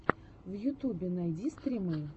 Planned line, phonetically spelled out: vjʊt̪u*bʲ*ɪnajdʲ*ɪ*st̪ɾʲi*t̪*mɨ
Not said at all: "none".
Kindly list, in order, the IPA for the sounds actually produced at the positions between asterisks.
bʲ, i, none

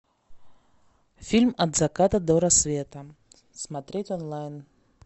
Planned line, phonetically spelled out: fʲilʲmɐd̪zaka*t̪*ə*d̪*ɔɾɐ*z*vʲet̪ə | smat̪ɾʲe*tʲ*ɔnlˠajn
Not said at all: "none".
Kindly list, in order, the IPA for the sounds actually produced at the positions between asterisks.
t̪, d̪, s, tʲ

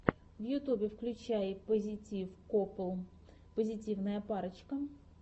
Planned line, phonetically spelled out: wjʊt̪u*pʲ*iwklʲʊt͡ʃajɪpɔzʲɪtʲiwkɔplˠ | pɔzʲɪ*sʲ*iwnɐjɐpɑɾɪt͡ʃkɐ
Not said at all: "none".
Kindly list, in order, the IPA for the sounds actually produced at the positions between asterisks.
bʲ, tʲ

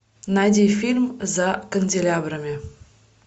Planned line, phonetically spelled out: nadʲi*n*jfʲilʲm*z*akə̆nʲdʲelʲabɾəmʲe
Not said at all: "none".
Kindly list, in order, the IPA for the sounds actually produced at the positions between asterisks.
none, z

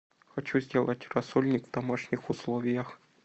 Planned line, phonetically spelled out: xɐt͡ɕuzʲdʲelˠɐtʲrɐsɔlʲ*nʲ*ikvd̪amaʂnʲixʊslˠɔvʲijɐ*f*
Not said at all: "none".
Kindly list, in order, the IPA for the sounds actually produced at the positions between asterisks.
nʲ, x

